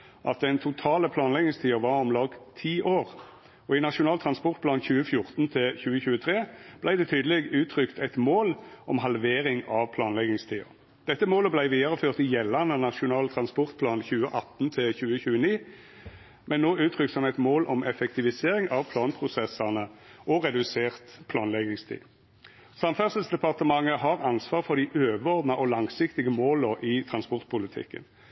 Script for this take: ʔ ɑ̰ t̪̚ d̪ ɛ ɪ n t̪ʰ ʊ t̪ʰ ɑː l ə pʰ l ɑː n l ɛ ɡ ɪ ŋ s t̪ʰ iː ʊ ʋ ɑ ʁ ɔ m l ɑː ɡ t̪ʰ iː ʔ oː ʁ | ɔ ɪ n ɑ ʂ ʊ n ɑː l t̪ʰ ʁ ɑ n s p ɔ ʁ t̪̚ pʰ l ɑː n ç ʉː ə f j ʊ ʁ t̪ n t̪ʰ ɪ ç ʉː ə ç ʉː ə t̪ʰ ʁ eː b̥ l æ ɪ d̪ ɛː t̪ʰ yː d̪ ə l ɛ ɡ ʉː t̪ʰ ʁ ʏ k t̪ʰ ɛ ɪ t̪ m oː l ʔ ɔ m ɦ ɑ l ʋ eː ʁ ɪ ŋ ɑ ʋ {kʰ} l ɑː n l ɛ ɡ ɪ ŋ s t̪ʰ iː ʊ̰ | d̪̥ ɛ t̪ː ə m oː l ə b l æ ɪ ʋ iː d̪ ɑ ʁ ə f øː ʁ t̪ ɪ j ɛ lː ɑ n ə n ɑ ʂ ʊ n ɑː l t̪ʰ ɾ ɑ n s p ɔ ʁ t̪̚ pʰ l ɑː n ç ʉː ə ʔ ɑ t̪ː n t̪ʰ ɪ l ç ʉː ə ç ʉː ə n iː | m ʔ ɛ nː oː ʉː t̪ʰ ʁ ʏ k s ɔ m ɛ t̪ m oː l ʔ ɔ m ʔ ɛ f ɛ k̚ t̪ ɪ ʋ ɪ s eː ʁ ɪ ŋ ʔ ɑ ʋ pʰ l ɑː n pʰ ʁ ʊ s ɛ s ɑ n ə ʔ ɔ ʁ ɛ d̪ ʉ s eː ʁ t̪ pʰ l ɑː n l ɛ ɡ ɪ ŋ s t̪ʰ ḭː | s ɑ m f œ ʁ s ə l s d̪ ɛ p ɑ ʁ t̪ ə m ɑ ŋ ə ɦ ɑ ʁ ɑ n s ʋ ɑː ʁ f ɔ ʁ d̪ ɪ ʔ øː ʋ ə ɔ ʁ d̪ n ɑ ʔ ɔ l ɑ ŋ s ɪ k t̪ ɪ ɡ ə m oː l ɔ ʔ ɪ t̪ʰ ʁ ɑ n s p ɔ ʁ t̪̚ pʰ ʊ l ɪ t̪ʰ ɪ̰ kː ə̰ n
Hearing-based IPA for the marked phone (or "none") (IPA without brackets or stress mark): pʰ